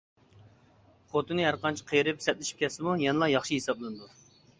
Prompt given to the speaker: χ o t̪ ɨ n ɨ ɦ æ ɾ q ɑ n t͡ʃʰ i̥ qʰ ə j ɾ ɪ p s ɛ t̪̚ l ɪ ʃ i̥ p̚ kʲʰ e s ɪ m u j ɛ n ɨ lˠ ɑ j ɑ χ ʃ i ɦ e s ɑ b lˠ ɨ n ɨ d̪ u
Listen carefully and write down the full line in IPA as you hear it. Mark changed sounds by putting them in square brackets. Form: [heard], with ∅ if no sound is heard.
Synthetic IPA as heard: χ o t̪ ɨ n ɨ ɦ æ ɾ q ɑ n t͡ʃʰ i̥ qʰ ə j ɾ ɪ p s ɛ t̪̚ l ɪ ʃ i̥ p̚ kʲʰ [ɛ] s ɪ m u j ɛ n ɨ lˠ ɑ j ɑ χ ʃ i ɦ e s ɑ b lˠ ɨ n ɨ d̪ u